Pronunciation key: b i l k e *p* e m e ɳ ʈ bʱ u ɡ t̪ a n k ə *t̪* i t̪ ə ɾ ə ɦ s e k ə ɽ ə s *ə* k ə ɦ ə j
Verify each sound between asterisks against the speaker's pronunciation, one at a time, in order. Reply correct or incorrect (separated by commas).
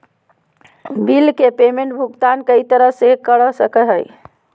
correct, incorrect, correct